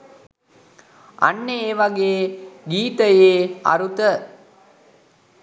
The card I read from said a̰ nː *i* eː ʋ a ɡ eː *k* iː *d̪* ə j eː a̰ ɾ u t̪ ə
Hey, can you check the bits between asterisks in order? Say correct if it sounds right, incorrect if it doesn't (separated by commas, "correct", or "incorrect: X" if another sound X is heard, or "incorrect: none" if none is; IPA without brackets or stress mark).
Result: incorrect: e, incorrect: ɡ, incorrect: t̪